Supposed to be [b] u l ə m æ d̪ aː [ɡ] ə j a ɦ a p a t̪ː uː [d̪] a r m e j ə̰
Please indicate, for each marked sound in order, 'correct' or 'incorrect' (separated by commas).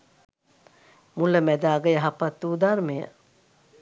incorrect, correct, correct